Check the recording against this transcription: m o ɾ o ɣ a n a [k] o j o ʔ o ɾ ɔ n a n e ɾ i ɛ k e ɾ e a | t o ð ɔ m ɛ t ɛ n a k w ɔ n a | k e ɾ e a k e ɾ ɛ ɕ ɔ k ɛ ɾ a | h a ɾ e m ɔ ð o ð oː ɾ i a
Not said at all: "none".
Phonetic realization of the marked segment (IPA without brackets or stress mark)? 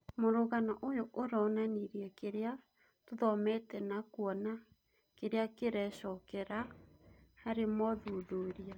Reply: ʔ